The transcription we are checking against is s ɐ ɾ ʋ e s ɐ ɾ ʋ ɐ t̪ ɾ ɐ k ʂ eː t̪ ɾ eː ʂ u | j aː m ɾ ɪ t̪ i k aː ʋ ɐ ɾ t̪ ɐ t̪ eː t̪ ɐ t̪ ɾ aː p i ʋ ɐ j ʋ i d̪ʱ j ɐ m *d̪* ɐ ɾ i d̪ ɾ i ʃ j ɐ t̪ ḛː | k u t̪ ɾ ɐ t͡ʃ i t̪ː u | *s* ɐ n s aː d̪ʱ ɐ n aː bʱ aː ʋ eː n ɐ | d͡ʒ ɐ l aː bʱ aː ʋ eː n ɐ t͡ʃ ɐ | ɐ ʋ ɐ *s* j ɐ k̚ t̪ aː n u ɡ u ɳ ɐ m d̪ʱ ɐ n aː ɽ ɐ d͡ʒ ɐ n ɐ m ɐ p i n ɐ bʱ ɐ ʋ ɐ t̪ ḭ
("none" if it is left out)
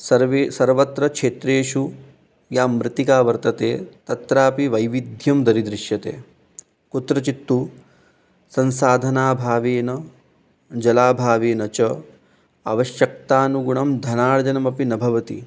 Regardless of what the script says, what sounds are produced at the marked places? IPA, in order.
d̪, s, ʃ

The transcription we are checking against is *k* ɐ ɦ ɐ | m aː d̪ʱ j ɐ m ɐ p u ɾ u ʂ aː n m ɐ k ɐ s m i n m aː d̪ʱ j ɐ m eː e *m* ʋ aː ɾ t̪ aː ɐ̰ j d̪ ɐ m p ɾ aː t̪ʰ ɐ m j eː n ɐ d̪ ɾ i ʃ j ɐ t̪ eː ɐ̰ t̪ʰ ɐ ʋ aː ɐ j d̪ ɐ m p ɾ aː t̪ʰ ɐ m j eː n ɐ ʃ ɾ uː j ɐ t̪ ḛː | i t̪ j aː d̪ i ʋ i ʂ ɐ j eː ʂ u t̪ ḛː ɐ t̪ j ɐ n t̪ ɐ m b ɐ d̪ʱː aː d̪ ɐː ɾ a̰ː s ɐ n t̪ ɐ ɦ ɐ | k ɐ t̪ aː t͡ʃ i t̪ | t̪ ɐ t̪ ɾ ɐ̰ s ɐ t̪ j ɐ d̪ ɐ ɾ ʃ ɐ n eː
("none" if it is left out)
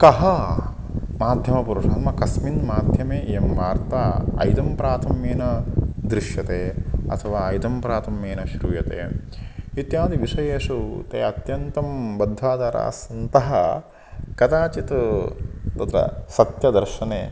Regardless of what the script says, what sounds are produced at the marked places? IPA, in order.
k, m

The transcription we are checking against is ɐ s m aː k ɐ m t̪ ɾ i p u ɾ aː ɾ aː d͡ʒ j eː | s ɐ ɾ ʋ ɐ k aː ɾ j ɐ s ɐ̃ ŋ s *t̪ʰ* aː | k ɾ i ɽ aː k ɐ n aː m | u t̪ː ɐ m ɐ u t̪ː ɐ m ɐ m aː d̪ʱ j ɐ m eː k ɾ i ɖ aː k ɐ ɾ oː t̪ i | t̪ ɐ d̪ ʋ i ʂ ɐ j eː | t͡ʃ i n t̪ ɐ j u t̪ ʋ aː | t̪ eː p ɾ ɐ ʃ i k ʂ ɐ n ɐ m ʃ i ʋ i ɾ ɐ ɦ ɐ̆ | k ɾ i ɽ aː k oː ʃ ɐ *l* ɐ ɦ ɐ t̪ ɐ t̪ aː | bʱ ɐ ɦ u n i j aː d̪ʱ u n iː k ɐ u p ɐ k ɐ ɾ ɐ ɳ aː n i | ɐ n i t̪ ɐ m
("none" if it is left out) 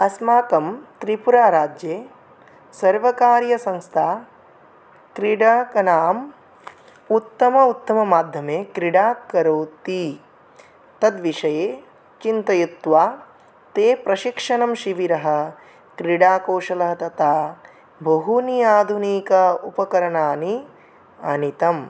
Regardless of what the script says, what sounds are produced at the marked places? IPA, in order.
t̪ʰ, l

